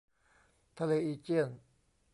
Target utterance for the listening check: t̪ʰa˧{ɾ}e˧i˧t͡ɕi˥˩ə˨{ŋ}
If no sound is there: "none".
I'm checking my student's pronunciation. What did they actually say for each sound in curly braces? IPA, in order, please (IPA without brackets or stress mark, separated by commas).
l, n